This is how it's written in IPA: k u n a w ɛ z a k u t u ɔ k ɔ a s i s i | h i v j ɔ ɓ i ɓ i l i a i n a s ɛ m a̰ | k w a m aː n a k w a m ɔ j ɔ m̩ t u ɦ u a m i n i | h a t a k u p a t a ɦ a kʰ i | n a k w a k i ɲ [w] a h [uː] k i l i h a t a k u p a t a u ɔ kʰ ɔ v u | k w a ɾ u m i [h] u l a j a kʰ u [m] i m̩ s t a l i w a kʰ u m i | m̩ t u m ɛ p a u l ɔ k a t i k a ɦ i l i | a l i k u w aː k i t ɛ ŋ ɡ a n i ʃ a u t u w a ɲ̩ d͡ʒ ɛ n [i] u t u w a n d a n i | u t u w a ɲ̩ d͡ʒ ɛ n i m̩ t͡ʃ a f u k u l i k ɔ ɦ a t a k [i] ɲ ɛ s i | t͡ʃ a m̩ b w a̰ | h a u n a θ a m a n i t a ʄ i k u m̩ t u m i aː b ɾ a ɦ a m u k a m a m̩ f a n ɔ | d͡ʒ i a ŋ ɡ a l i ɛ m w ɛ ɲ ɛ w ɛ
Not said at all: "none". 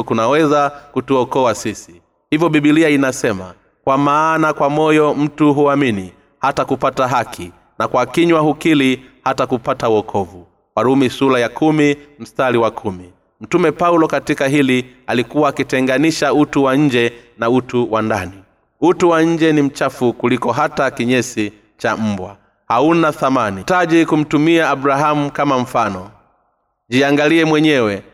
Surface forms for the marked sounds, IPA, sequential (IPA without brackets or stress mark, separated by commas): w, u, s, m, a, i